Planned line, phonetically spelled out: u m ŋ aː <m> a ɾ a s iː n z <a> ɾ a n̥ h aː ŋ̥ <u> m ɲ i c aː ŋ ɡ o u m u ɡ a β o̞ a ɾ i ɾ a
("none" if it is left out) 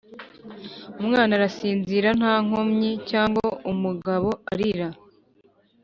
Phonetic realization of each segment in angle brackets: n, i, o

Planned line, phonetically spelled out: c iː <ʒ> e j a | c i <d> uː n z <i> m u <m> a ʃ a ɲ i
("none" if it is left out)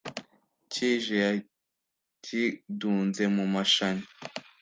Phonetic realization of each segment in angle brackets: ʒ, d, e, m

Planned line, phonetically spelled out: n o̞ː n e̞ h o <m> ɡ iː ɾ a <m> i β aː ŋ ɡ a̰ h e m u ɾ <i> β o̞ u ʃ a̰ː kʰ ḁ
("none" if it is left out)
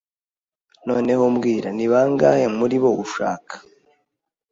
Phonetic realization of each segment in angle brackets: m, n, i

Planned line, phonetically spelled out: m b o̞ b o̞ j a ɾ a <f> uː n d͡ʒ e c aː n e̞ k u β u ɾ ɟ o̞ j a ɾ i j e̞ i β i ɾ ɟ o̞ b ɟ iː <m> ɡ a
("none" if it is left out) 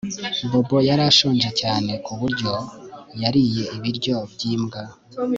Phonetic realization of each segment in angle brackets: ʃ, m

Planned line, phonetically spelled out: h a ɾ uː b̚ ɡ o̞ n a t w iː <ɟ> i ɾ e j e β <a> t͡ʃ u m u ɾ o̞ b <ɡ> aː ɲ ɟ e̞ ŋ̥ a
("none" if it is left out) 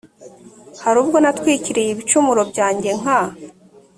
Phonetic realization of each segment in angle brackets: c, i, ɟ

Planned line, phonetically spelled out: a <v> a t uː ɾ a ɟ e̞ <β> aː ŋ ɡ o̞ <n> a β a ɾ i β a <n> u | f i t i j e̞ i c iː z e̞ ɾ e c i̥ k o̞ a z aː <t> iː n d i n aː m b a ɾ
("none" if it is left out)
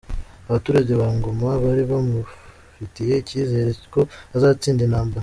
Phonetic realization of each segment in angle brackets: β, β, m, m, t͡s

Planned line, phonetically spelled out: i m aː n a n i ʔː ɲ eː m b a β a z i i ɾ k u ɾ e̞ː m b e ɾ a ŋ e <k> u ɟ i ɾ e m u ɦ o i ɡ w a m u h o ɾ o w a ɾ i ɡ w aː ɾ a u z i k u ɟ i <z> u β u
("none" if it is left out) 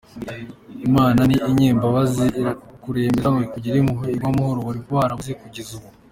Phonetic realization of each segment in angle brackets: k, z

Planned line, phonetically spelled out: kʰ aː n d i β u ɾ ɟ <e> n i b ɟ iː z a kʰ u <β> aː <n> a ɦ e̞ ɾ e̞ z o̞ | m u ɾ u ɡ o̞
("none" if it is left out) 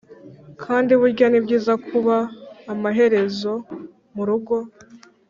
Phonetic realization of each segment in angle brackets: a, β, m

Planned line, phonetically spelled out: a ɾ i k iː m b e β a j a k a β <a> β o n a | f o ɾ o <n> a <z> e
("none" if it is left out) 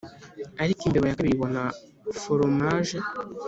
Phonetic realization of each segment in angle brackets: i, m, ʒ

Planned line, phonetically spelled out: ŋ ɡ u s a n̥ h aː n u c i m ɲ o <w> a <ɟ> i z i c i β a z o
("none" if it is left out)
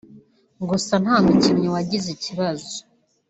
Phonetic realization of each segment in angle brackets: w, ɟ

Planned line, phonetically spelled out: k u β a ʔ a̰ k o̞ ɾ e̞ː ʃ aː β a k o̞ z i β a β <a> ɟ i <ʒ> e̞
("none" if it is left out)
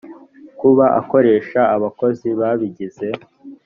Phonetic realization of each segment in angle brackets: i, z

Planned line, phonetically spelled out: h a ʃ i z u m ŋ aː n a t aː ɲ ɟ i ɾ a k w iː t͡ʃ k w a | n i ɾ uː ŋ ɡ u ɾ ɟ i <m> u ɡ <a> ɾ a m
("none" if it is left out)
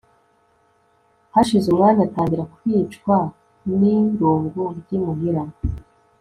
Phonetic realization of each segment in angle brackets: m, i

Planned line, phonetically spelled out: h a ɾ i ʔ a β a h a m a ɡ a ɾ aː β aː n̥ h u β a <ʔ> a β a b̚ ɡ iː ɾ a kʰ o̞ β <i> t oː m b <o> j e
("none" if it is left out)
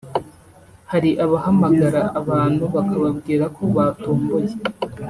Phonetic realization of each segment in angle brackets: k, a, o

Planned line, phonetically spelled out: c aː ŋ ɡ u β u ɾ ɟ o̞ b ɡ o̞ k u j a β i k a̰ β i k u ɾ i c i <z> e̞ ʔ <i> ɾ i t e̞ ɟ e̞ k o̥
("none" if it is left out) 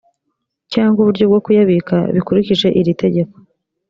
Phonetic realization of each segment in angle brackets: ʒ, i

